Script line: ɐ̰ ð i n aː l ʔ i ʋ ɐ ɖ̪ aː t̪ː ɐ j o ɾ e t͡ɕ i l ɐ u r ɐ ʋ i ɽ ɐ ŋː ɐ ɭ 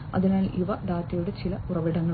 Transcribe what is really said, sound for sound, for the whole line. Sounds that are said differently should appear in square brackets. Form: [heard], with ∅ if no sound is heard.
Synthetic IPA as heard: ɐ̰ ð i n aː l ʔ i ʋ ɐ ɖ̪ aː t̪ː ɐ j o [ɽ] e t͡ɕ i l ɐ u r ɐ ʋ i ɽ ɐ ŋː ɐ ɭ